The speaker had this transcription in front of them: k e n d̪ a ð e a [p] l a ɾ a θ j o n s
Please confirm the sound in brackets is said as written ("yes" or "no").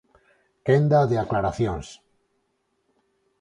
no